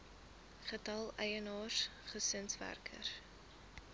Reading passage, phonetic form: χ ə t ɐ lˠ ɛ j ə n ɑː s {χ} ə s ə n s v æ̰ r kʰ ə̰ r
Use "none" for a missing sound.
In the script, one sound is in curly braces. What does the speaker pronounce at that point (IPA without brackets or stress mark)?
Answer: χ